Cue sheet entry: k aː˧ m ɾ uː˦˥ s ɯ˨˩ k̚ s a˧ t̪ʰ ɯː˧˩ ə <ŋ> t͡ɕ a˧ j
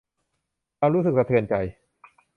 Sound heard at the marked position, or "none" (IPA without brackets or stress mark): n